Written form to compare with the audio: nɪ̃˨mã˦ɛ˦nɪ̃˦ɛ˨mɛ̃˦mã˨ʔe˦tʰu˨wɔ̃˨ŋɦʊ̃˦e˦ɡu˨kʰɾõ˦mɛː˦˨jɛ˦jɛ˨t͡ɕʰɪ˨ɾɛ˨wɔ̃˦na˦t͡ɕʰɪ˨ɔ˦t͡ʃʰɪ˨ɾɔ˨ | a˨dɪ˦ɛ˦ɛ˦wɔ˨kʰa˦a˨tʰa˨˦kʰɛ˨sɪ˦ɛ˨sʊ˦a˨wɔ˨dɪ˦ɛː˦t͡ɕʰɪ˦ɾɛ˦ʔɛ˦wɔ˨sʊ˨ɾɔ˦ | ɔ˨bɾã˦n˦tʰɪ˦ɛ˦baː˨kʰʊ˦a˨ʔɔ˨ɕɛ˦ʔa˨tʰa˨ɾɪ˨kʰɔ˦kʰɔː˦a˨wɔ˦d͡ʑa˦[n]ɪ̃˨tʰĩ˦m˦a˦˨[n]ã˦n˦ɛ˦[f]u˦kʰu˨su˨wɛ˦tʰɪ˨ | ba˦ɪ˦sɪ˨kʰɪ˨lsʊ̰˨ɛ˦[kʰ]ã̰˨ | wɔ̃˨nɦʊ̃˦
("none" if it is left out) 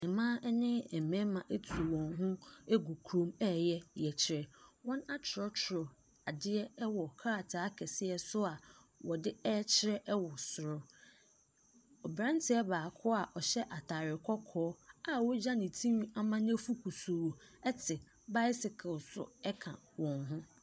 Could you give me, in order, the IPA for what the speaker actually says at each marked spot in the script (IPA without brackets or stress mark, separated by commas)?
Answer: n, m, f, kʰ